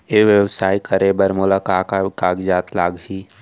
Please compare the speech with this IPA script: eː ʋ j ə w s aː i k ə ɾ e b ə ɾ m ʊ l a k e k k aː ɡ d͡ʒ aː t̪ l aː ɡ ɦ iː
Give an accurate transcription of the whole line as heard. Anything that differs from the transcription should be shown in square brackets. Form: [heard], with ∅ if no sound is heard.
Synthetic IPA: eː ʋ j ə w s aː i k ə ɾ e b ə ɾ m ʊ l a k [a] k k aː ɡ d͡ʒ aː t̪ l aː ɡ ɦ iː